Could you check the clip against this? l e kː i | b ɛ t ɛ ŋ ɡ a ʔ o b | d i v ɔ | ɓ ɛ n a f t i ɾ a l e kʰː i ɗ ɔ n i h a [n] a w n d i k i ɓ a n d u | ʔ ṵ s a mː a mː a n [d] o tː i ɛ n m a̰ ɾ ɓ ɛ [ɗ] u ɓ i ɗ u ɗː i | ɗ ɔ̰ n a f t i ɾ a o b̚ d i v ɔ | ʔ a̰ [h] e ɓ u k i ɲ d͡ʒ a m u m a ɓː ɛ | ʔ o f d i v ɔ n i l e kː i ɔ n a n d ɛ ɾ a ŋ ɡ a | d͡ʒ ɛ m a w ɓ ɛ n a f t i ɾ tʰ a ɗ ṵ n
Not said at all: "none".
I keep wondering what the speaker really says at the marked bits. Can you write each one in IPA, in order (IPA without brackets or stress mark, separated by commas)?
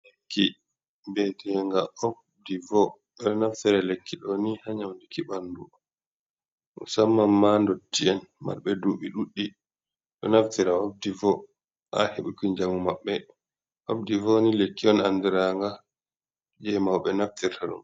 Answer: ɲ, d, d, h